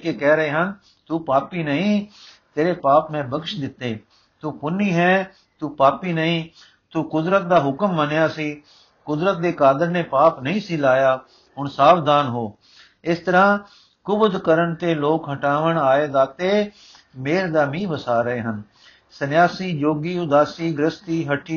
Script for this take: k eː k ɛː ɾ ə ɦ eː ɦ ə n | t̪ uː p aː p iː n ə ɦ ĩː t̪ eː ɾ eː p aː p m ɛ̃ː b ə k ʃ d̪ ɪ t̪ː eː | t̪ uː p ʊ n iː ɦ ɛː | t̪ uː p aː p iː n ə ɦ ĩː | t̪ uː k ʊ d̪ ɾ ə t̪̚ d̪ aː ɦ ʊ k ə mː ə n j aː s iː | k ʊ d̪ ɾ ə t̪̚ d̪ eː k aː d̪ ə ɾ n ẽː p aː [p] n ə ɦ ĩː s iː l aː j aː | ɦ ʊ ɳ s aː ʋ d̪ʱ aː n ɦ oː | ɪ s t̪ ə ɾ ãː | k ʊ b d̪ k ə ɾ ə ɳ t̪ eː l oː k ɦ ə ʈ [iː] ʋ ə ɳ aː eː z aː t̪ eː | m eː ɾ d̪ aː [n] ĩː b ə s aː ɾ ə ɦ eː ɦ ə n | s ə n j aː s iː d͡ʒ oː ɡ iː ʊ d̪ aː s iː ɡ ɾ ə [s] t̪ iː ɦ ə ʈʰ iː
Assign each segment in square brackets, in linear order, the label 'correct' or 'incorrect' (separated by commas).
correct, incorrect, incorrect, correct